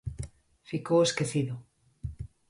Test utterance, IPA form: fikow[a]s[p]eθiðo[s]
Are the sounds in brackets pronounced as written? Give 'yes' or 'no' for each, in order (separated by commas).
no, no, no